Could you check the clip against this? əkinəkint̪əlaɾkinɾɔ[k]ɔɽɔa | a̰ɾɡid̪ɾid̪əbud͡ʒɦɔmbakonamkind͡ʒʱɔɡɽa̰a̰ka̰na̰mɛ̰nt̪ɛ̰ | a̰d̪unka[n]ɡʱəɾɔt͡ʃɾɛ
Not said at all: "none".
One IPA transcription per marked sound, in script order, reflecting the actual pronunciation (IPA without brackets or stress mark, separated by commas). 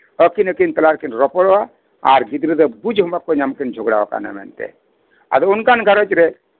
p, n